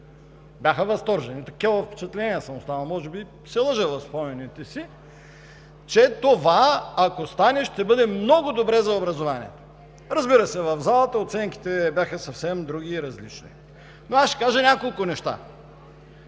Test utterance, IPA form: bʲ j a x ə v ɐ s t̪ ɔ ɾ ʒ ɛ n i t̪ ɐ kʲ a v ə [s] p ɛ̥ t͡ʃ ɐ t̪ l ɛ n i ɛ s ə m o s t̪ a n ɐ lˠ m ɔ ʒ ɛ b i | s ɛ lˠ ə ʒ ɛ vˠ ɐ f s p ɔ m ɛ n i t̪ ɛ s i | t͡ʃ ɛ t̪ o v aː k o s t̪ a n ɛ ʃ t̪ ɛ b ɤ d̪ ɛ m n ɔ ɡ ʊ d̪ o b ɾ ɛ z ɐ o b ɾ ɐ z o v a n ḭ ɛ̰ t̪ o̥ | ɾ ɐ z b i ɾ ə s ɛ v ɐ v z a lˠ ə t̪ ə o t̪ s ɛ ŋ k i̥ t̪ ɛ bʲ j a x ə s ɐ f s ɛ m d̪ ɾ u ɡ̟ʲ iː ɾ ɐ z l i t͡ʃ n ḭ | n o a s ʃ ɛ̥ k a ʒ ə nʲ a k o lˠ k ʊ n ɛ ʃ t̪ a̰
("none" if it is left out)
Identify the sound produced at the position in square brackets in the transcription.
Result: f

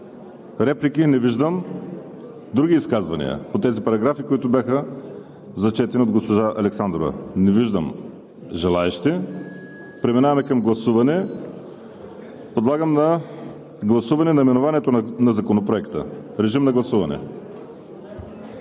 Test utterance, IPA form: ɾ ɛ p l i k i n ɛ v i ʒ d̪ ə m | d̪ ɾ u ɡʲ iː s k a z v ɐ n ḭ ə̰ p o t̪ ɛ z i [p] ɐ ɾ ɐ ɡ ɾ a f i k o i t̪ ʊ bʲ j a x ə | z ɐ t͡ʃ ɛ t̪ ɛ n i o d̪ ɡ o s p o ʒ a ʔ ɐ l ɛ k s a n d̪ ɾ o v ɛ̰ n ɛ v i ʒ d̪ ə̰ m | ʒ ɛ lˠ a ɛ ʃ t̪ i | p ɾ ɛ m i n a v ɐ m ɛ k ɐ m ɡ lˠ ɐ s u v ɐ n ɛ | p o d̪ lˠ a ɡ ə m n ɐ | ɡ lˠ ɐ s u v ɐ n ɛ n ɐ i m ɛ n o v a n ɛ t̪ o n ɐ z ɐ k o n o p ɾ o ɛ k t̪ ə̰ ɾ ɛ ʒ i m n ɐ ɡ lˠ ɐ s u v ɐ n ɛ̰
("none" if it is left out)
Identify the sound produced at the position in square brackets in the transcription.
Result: p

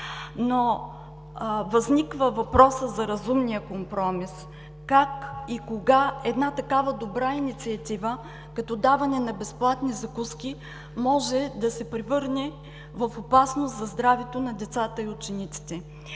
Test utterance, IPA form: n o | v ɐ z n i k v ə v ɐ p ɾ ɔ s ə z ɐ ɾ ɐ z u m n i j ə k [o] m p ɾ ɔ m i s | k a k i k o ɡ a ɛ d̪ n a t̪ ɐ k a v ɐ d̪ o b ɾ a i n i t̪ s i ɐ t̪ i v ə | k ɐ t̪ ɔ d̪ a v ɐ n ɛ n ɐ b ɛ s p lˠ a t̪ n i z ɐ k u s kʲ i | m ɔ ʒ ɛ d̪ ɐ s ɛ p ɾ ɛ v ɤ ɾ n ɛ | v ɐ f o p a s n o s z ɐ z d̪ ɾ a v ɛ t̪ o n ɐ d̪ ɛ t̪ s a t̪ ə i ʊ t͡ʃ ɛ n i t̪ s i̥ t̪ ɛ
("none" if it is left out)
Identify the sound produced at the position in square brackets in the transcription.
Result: o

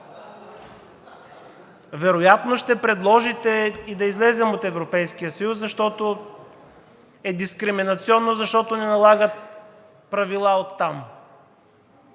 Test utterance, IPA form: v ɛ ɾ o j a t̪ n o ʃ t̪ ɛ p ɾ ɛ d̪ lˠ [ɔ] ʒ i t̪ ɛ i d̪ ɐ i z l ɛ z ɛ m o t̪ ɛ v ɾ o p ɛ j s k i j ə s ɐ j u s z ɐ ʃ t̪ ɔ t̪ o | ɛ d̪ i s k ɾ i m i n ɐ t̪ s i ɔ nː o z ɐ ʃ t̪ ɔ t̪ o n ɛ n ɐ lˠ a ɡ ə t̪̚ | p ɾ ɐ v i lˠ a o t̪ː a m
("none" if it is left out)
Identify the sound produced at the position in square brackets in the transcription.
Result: ɔ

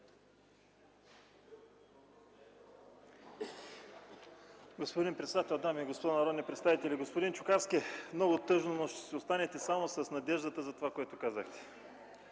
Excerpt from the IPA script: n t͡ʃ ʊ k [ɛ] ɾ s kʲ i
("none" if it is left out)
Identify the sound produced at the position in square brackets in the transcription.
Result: a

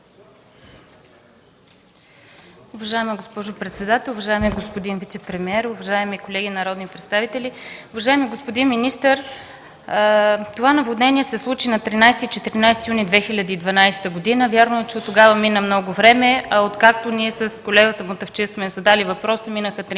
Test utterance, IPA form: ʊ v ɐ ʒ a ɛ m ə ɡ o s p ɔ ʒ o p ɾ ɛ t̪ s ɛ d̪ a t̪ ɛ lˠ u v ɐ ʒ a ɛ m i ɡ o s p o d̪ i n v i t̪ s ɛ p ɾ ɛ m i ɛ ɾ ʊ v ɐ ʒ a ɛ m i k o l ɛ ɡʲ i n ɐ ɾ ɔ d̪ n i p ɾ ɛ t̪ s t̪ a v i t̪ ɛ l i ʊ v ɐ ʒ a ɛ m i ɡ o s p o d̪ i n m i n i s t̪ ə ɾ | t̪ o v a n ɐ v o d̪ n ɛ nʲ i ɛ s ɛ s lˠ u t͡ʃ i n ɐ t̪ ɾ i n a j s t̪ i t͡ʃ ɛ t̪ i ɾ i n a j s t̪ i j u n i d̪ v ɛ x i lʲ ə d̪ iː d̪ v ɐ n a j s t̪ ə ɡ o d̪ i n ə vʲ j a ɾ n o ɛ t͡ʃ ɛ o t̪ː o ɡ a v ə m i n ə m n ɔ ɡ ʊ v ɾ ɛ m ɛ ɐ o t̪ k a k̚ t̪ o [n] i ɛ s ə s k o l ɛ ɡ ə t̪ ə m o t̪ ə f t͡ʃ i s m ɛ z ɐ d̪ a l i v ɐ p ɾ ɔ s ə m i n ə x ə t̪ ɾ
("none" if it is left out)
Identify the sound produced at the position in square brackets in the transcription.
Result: n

